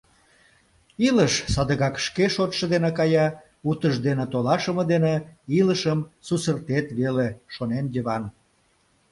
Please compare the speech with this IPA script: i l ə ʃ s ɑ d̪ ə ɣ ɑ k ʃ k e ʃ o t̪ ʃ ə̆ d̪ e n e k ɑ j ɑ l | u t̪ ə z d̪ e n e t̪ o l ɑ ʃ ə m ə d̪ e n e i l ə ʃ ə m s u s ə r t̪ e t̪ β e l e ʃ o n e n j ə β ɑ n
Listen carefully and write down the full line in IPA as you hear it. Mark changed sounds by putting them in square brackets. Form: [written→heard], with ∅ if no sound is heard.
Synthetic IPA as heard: i l ə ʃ s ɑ d̪ ə ɣ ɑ k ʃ k e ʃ o t̪ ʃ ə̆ d̪ e n e k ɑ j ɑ [l→∅] | u t̪ ə [z→ʒ] d̪ e n e t̪ o l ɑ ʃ ə m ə d̪ e n e i l ə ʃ ə m s u s ə r t̪ e t̪ β e l e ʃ o n e n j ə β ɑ n